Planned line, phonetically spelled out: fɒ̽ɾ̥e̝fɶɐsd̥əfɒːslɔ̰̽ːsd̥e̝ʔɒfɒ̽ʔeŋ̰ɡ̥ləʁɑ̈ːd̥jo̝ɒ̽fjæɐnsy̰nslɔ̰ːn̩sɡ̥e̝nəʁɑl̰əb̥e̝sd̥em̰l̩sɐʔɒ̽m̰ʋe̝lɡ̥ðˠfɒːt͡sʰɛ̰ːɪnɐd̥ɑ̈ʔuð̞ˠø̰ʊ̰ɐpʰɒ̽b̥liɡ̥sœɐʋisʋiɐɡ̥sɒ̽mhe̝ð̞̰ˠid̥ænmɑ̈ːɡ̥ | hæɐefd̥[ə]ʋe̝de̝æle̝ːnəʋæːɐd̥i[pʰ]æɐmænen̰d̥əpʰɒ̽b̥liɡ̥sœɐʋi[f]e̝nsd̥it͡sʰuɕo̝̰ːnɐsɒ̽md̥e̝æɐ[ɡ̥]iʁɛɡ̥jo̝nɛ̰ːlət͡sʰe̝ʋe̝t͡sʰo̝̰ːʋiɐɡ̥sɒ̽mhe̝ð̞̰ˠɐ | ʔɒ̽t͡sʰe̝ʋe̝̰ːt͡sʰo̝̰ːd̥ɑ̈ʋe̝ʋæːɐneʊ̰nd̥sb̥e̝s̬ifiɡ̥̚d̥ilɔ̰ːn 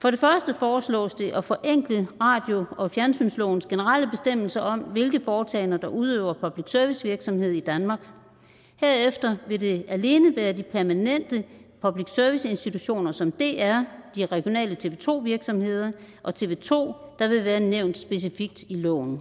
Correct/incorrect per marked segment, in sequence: incorrect: ɐ, correct, incorrect: s, incorrect: d̥

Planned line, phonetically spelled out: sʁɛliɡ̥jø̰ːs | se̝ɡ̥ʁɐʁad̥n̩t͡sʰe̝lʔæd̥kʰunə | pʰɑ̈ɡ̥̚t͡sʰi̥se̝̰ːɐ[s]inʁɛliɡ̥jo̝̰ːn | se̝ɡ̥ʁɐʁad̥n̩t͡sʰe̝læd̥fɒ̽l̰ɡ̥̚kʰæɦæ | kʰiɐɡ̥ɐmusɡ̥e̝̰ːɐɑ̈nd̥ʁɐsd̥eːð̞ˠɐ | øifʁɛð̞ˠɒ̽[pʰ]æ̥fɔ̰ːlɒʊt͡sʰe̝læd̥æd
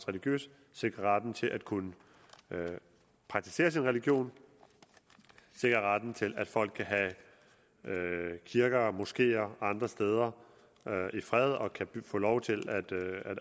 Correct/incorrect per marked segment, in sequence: correct, incorrect: kʰ

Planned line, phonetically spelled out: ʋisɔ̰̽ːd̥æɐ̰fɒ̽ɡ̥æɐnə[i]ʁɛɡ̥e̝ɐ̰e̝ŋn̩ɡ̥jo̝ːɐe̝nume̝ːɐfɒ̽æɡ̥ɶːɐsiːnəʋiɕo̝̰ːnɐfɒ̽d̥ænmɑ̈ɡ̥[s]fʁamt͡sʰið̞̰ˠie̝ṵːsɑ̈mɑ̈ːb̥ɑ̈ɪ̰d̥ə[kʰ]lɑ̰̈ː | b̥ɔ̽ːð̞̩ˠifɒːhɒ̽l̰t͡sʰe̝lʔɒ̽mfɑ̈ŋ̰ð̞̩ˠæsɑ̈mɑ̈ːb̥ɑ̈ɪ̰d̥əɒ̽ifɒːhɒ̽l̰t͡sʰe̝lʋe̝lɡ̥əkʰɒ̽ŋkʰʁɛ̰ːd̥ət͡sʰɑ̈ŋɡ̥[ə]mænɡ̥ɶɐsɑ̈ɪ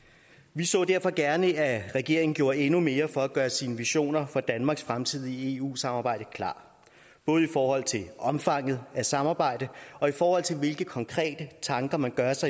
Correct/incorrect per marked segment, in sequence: incorrect: æ, correct, correct, incorrect: ɐ

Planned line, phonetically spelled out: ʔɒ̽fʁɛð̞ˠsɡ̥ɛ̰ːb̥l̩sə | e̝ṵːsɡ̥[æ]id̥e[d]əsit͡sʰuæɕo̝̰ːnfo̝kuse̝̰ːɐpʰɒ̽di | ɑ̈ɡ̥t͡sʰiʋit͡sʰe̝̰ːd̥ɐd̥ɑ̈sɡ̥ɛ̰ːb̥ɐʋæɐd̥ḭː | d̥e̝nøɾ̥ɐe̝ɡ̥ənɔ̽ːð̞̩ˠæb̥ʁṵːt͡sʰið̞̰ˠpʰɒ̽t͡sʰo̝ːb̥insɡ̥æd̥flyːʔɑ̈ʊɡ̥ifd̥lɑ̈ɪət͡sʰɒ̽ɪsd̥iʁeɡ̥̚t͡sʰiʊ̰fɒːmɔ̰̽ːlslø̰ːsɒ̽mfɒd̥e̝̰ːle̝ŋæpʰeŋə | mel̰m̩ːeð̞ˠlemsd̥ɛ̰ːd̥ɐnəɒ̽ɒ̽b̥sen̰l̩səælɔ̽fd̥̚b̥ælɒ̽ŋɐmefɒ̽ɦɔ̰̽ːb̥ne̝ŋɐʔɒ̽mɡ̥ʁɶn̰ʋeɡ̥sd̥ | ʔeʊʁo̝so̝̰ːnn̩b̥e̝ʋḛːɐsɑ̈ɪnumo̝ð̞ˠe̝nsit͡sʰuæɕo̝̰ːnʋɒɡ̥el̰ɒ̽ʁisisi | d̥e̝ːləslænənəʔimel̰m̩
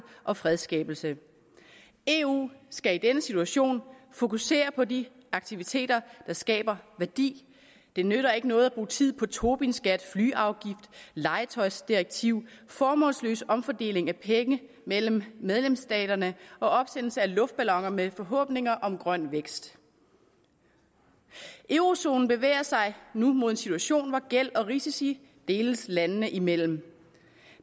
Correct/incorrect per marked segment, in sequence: correct, incorrect: n

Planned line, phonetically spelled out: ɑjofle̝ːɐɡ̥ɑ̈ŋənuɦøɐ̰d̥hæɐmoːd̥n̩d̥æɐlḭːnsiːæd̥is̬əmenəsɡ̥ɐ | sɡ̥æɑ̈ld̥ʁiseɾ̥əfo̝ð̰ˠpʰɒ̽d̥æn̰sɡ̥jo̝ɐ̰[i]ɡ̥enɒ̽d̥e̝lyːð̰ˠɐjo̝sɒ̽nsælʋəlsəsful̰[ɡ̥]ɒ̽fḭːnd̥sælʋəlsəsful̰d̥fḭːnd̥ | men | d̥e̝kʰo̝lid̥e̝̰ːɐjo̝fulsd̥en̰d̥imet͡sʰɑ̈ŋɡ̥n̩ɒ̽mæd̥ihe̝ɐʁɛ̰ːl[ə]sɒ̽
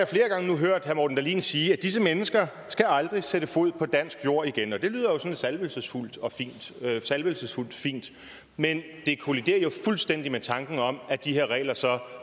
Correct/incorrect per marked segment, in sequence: correct, incorrect: d̥, incorrect: ɐ

